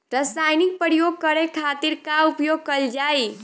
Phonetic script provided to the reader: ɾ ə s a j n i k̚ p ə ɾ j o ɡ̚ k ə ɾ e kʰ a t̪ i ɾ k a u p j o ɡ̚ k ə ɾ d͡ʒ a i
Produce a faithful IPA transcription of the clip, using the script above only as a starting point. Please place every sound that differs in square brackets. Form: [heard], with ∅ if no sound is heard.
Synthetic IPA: ɾ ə s a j n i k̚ p ə ɾ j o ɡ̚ k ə ɾ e kʰ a t̪ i ɾ k a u p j o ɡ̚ k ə [l] d͡ʒ a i

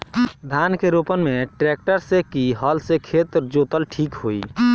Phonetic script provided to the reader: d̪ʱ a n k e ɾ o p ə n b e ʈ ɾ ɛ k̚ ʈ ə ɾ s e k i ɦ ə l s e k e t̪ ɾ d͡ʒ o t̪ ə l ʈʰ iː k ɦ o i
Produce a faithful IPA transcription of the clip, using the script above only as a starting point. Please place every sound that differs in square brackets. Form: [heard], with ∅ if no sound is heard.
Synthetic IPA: d̪ʱ a n k e ɾ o p ə n [m] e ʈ ɾ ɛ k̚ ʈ ə ɾ s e k i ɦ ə l s e [kʰ] e t̪ ɾ d͡ʒ o t̪ ə l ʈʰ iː k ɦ o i

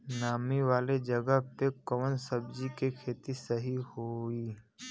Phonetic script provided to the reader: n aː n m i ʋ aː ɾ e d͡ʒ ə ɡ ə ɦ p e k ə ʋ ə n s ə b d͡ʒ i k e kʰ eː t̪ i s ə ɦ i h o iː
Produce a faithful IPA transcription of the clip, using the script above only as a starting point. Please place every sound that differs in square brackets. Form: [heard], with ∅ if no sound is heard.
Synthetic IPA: n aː [∅] m i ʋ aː [l] e d͡ʒ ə ɡ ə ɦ p e k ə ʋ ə n s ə b d͡ʒ i k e kʰ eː t̪ i s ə ɦ i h o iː

